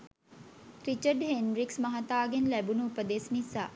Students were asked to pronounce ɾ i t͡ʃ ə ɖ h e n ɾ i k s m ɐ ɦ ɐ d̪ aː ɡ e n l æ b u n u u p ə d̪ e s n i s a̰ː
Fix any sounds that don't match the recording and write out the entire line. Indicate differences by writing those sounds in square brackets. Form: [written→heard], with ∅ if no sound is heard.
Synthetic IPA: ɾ i t͡ʃ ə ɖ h e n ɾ i k s m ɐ ɦ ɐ [d̪→t̪] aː ɡ e n l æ b u n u u p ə d̪ e s n i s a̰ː